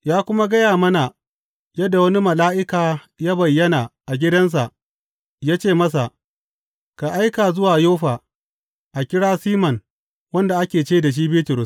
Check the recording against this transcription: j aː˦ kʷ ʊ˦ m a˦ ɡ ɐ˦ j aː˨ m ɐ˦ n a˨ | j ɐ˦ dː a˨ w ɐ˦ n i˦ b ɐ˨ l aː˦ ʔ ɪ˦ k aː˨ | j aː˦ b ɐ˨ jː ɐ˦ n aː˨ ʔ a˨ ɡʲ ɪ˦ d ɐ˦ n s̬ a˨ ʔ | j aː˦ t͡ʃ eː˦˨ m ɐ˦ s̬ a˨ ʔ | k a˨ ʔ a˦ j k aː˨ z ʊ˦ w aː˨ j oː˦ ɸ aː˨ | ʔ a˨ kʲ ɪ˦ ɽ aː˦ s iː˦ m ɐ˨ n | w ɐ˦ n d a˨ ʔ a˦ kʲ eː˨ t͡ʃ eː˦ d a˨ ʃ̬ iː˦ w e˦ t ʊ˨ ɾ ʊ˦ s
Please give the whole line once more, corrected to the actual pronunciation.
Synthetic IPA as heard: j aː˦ kʷ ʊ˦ m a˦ ɡ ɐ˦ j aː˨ m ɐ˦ n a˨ | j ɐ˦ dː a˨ w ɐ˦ n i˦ m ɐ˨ l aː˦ ʔ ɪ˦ k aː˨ | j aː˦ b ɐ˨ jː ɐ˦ n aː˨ ʔ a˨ ɡʲ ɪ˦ d ɐ˦ n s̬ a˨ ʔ | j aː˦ t͡ʃ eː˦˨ m ɐ˦ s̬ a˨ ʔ | k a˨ ʔ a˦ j k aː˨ z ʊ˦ w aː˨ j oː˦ ɸ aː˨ | ʔ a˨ kʲ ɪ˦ ɽ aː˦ s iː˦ m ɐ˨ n | w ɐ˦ n d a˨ ʔ a˦ kʲ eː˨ t͡ʃ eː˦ d a˨ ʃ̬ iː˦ b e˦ t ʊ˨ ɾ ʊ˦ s